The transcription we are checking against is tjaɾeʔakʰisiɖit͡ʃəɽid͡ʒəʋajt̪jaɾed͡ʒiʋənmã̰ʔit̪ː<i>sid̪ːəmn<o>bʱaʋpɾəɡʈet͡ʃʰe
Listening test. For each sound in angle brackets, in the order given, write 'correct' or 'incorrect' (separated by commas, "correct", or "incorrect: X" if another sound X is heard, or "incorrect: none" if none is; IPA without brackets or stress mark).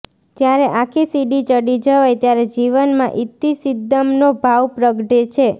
correct, correct